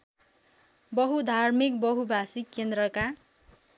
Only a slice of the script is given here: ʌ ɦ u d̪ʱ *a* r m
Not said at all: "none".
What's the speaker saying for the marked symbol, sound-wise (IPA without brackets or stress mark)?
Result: a